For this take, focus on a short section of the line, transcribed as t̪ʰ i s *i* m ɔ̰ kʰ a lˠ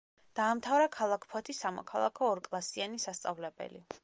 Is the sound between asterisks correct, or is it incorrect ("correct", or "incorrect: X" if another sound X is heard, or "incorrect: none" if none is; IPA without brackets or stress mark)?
incorrect: a